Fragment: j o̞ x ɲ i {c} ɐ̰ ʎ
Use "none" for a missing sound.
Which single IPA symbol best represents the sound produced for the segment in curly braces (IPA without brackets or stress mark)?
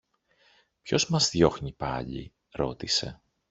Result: p